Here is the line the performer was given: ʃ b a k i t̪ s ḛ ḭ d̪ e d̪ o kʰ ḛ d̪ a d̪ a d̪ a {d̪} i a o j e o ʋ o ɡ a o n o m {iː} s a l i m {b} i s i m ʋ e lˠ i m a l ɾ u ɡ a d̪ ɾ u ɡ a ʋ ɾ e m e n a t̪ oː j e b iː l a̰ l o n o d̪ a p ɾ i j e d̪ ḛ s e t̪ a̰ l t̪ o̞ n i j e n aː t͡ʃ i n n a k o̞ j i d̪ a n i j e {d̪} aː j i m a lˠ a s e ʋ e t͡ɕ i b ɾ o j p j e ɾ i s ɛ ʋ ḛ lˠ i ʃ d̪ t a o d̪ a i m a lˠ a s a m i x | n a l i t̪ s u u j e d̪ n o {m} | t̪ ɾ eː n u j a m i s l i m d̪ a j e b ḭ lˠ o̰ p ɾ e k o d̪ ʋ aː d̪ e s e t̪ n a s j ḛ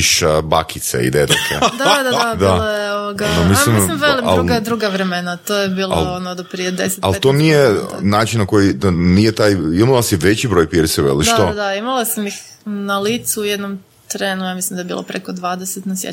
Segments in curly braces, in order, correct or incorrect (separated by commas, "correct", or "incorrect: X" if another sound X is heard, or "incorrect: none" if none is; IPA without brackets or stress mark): correct, incorrect: i, incorrect: m, incorrect: t̪, correct